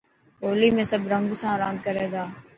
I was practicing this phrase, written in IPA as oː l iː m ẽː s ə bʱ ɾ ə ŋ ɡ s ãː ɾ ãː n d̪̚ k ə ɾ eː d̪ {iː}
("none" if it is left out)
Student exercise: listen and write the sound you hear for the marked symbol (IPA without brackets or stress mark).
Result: aː